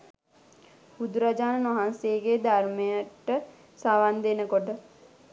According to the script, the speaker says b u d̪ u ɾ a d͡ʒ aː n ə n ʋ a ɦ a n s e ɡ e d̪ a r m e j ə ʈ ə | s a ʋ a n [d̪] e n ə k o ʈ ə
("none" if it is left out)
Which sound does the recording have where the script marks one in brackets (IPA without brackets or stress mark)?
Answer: d̪